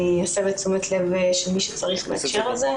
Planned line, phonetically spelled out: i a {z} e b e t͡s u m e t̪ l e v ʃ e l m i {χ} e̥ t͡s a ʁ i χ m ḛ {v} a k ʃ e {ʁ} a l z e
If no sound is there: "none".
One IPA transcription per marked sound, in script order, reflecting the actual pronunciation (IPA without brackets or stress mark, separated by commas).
s, ʃ, none, ʁ